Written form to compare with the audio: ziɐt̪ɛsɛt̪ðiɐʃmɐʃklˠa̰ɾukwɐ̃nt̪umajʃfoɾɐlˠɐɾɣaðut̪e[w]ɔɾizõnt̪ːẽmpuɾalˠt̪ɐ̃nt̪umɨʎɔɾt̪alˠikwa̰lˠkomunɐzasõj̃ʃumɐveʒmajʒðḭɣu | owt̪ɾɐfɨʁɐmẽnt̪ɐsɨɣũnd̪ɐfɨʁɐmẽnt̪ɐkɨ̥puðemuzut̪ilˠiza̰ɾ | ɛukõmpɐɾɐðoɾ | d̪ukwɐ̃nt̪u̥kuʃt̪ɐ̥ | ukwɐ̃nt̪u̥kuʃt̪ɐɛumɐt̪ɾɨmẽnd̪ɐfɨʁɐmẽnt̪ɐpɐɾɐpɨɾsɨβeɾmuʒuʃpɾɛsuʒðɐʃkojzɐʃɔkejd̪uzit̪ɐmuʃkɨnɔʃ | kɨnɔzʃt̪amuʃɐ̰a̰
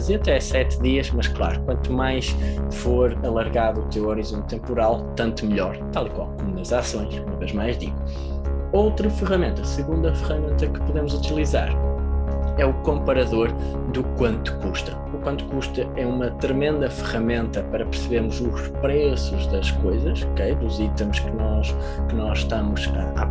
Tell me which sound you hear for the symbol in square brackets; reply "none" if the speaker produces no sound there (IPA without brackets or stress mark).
w